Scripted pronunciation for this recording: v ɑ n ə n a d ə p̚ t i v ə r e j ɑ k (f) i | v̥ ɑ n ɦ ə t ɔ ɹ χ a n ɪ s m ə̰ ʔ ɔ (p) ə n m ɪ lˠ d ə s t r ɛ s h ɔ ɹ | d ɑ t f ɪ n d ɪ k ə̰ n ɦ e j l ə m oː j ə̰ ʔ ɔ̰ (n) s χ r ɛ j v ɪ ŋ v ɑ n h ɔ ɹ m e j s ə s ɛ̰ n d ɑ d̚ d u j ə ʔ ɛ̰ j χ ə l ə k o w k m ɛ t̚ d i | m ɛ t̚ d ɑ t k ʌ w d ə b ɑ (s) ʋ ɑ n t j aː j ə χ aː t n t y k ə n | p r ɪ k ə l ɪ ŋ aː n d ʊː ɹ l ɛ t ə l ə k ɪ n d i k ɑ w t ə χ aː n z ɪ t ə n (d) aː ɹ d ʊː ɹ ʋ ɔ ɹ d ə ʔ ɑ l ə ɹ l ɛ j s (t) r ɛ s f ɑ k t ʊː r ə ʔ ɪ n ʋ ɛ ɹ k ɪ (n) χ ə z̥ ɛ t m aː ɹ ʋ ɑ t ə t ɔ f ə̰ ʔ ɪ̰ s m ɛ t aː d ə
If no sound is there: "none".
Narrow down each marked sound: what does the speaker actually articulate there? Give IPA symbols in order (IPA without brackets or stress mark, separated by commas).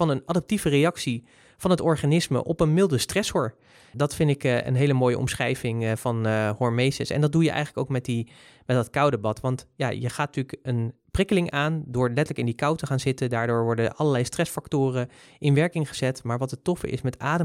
s, p, m, t, d, t, ŋ